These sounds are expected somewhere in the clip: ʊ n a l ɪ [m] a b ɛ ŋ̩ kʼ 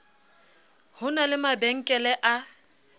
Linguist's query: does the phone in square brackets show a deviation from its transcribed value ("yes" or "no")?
no